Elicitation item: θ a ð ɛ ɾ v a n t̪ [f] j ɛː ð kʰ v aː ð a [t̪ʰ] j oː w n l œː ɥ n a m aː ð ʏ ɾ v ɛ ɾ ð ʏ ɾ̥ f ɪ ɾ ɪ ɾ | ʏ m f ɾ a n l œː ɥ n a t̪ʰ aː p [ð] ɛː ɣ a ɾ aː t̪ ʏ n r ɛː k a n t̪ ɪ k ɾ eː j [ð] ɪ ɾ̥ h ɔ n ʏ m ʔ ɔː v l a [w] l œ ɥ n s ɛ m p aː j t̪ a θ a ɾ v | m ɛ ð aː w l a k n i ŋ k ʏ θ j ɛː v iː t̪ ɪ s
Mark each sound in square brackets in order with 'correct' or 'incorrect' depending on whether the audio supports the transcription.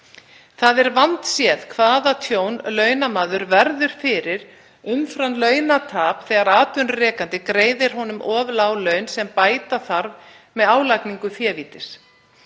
incorrect: s, correct, incorrect: θ, correct, correct

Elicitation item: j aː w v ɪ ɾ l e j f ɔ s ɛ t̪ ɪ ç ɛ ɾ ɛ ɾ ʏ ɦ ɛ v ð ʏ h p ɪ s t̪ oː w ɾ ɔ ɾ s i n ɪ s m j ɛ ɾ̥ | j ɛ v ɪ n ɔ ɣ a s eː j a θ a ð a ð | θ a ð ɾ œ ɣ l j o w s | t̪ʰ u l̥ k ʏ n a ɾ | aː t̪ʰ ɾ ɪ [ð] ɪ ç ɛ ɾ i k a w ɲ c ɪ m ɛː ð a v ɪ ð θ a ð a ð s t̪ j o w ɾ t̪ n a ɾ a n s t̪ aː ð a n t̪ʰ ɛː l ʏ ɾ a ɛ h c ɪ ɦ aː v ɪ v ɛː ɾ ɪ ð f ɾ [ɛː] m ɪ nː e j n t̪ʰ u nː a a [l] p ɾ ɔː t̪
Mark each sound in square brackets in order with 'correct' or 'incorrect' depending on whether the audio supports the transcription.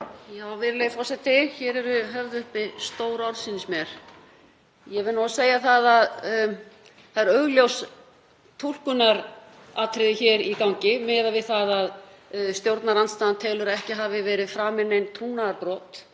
correct, incorrect: aː, incorrect: ɾ

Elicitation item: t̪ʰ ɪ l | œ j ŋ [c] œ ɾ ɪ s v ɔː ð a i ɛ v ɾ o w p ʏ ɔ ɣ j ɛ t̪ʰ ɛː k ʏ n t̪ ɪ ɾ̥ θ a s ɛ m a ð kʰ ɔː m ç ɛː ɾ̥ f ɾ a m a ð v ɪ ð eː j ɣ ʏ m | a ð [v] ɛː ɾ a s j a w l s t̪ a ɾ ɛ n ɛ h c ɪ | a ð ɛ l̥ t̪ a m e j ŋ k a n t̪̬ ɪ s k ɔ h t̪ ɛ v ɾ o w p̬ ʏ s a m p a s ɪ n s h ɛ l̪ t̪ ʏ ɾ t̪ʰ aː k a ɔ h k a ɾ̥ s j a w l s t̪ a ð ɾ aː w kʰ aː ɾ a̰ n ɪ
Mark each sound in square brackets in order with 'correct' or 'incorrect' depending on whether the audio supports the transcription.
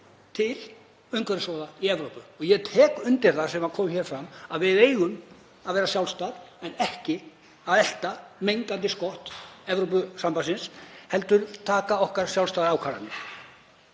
incorrect: k, correct

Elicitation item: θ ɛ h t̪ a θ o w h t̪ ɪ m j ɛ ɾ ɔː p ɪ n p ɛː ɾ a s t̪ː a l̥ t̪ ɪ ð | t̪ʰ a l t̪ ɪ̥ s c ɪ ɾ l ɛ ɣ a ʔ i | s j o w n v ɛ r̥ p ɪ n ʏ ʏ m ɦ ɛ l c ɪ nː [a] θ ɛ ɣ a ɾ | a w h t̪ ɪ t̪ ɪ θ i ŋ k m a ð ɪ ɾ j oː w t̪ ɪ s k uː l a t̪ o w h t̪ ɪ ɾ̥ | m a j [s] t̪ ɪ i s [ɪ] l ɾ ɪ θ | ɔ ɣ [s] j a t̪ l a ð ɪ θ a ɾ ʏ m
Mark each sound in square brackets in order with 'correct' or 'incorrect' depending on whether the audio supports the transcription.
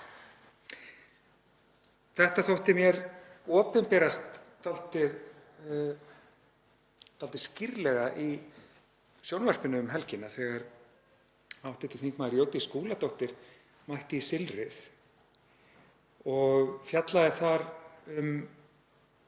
correct, incorrect: h, correct, incorrect: f

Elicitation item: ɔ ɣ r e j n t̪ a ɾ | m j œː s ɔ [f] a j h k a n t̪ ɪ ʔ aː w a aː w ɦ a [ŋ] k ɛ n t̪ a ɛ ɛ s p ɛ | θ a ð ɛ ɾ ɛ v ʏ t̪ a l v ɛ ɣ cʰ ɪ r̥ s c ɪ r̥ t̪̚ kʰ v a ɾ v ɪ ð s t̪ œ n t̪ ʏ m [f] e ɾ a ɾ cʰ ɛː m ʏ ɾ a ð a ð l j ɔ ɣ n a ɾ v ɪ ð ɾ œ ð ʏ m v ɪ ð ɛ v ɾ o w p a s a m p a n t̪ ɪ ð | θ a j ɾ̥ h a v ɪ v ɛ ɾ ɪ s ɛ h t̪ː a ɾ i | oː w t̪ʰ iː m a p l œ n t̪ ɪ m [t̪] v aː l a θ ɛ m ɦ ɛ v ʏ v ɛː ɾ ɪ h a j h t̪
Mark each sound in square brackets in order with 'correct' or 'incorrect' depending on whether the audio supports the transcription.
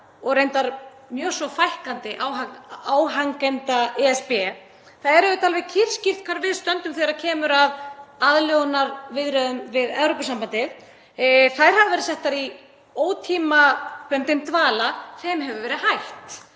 correct, correct, incorrect: θ, correct

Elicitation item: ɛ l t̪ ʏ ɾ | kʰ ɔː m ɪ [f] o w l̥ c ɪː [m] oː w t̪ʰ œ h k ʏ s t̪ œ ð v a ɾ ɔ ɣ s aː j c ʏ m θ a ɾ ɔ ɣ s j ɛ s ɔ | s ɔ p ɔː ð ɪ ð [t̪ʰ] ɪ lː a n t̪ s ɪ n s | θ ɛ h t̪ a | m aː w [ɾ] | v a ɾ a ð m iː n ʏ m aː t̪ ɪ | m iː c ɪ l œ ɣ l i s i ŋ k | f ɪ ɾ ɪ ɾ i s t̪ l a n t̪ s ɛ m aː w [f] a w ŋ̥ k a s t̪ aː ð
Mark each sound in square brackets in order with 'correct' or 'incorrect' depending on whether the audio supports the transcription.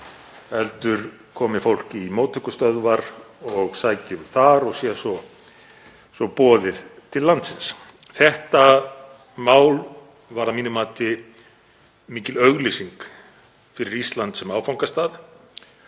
correct, correct, correct, incorrect: l, correct

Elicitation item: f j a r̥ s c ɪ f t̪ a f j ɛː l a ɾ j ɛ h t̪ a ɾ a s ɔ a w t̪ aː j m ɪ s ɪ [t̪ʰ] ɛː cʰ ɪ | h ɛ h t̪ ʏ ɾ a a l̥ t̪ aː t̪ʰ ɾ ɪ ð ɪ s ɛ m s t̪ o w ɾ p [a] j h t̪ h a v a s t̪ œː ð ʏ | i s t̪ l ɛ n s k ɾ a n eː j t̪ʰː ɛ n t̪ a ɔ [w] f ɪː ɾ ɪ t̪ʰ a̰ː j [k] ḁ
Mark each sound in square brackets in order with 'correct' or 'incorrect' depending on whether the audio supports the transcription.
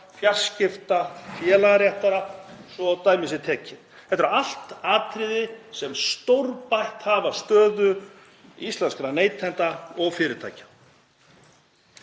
correct, correct, incorrect: ɣ, incorrect: c

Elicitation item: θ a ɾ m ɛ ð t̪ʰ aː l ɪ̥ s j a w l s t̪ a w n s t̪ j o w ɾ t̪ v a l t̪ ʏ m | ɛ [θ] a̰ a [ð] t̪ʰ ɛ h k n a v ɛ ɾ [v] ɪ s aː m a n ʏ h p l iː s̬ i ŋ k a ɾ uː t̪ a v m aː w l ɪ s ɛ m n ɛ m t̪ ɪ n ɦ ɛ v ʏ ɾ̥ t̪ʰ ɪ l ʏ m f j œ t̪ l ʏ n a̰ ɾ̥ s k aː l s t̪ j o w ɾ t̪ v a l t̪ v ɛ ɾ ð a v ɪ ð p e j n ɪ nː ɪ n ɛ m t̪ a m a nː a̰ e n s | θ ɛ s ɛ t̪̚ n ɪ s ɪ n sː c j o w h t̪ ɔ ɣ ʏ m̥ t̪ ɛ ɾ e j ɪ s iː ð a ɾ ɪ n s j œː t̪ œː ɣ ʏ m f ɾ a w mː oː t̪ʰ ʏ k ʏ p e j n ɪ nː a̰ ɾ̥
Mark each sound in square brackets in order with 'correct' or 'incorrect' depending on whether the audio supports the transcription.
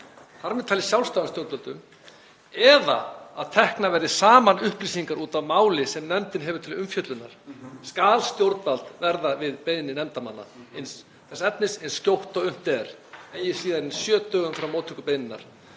incorrect: ð, correct, incorrect: ð

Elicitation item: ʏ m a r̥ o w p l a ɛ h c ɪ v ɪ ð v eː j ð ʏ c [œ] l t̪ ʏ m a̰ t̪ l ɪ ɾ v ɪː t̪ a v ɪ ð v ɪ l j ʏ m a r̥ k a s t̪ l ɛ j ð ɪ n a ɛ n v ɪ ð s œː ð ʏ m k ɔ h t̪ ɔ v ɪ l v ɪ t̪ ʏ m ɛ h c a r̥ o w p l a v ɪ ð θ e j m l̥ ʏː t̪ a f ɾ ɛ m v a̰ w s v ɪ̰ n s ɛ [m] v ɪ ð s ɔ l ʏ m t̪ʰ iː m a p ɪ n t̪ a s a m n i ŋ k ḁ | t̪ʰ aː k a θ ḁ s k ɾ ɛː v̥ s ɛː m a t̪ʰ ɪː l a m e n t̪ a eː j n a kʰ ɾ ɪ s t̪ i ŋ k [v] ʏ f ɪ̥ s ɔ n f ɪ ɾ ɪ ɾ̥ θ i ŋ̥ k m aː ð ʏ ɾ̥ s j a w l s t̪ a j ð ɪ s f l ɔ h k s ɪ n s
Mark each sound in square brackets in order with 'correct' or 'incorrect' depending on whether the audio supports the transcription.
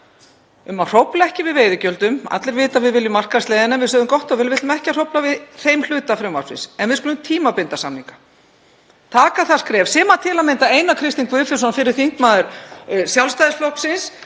correct, incorrect: n, correct

